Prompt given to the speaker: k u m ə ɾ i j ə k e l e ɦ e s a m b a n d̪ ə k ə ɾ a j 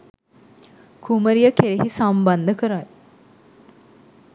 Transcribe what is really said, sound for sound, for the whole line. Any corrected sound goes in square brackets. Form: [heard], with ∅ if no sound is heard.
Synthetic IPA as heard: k u m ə ɾ i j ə k e [ɾ] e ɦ [i] s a m b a n d̪ ə k ə ɾ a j